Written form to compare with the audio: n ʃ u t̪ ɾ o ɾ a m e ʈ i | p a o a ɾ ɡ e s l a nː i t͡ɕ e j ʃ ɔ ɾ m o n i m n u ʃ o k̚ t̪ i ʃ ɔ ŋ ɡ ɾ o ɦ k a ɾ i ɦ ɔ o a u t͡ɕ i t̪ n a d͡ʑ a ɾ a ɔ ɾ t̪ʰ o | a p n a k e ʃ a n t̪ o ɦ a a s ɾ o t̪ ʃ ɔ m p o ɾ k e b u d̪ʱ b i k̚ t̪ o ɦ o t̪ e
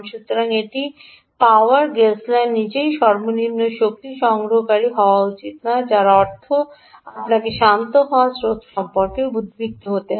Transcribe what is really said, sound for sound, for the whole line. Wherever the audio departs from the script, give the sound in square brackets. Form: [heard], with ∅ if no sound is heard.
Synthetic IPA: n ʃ u t̪ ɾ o ɾ a [ŋ] e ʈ i | p a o a ɾ ɡ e s l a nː i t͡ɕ e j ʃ ɔ ɾ m o n i m n [o] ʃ o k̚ t̪ i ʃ ɔ ŋ ɡ ɾ o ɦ k a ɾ i ɦ ɔ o a u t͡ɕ i t̪ n a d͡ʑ a ɾ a ɔ ɾ t̪ʰ o | a p n a k e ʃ a n t̪ o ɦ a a s ɾ o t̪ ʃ ɔ m p o ɾ k e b u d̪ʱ b i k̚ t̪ o ɦ o t̪ e